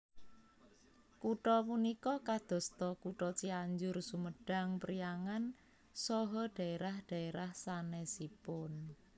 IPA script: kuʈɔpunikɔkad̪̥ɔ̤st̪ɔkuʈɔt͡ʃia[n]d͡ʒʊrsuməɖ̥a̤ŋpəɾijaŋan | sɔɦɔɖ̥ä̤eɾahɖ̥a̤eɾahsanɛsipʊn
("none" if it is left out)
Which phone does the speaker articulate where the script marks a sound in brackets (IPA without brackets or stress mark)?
ɲ